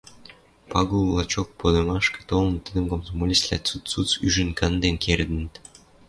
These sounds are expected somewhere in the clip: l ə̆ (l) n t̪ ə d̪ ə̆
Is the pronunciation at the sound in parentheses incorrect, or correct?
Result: incorrect